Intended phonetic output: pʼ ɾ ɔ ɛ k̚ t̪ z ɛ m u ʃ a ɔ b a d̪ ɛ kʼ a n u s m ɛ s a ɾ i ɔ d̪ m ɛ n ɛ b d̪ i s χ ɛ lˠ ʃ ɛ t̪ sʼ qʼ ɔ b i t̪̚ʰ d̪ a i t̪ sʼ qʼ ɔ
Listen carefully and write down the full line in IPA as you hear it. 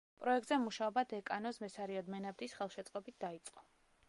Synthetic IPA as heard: pʼ ɾ ɔ ɛ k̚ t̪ z ɛ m u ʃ a ɔ b a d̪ ɛ kʼ a n ɔ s m ɛ s a ɾ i ɔ d̪ m ɛ n a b d̪ i s χ ɛ lˠ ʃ ɛ t̪ sʼ qʼ ɔ b i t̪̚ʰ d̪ a i t̪ sʼ qʼ ɔ